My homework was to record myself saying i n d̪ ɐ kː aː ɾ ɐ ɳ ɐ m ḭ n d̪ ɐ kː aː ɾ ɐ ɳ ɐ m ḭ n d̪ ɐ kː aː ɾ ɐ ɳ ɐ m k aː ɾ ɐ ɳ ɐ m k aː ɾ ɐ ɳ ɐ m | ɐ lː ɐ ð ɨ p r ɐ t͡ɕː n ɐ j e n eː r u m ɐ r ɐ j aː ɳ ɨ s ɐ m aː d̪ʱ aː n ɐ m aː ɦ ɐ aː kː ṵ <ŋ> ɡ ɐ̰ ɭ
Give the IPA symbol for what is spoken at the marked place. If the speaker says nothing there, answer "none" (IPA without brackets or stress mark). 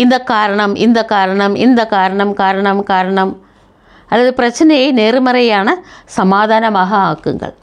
ŋ